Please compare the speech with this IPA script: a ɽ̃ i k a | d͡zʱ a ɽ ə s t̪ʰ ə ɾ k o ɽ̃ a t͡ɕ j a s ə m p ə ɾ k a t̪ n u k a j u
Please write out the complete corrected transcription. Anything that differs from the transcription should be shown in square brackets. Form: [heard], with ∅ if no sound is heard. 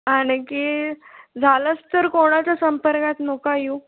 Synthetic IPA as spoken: a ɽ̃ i k [i] | d͡zʱ a [l] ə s [t̪] ə ɾ k o ɽ̃ a t͡ɕ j a s ə m p ə ɾ k a t̪ n [o] k a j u